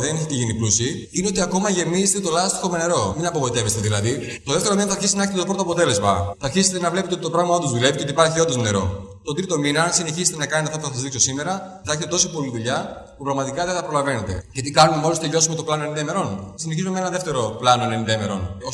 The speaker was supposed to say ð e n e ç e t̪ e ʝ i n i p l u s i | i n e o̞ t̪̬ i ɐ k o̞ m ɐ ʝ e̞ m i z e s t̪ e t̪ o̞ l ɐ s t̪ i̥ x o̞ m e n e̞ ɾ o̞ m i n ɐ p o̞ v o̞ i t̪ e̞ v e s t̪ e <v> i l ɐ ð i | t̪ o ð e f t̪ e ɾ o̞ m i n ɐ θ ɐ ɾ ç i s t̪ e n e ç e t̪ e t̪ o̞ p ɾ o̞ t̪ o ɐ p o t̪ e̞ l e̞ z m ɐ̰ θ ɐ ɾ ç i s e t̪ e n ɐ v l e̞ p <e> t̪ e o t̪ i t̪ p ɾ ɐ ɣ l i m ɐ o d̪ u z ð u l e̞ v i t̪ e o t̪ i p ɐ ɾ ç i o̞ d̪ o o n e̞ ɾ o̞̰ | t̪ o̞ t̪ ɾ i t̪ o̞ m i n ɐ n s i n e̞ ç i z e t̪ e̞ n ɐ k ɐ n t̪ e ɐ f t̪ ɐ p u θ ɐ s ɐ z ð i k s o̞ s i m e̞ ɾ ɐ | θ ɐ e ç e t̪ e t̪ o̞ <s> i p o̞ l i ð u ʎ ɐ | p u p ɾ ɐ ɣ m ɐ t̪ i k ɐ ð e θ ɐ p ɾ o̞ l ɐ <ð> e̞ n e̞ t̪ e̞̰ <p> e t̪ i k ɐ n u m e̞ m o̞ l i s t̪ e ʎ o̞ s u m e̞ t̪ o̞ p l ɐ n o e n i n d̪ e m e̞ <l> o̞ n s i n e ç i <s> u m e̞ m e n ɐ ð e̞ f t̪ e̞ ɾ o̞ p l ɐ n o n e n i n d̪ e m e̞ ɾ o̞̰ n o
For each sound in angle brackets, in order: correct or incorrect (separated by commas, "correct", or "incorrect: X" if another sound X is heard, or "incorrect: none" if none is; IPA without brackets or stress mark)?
incorrect: ð, correct, correct, incorrect: v, incorrect: c, incorrect: ɾ, incorrect: z